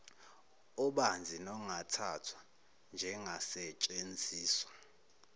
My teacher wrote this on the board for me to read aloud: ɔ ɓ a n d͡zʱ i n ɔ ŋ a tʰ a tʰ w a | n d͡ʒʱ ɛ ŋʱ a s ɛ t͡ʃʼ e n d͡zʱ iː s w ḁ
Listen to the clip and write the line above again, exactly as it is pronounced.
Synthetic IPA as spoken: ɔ ɓ a n d͡zʱ i n ɔ ŋ a tʰ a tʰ w a | n d͡ʒʱ ɛ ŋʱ a s ɛ t͡ʃʼ e n d͡zʱ iː s w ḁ